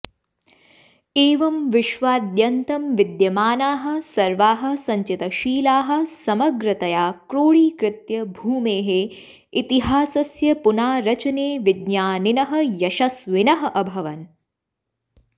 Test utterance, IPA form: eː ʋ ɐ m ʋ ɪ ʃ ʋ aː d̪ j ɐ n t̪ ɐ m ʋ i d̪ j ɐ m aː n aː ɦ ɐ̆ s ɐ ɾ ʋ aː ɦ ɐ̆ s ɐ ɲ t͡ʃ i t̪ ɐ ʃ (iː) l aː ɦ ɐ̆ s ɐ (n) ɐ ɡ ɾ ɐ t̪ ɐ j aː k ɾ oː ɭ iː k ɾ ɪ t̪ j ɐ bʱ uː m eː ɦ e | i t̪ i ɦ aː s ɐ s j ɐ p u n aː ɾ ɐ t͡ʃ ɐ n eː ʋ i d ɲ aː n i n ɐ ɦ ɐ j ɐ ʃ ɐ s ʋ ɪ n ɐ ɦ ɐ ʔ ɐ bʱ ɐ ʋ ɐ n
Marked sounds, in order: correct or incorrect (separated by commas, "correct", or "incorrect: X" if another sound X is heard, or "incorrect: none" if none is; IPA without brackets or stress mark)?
correct, incorrect: m